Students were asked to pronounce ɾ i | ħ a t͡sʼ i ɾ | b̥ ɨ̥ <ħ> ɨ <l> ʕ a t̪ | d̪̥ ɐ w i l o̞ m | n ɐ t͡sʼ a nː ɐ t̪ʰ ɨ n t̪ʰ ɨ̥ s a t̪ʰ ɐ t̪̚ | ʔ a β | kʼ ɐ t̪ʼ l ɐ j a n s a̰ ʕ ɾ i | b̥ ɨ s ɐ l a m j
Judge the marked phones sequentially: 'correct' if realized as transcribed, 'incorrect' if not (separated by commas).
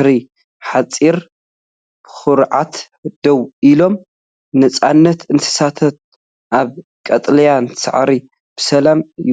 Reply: incorrect, incorrect